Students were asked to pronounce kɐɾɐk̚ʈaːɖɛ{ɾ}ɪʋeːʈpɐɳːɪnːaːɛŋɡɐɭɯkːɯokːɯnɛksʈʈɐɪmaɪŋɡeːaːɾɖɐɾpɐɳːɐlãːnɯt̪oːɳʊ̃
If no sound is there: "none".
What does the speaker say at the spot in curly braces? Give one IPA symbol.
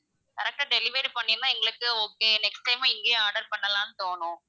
l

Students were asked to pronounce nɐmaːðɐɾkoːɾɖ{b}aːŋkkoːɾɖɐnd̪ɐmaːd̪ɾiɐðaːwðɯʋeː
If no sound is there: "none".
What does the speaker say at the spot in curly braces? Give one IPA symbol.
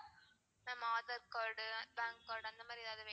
b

